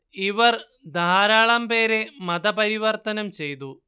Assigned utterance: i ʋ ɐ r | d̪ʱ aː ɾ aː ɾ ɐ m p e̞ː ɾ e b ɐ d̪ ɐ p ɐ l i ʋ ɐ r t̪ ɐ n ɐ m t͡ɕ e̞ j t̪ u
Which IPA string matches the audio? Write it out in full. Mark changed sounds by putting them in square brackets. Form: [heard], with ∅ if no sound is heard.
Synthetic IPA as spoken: i ʋ ɐ r | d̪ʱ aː ɾ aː [ɭ] ɐ m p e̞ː ɾ e [m] ɐ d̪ ɐ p ɐ [ɾ] i ʋ ɐ r t̪ ɐ n ɐ m t͡ɕ e̞ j t̪ u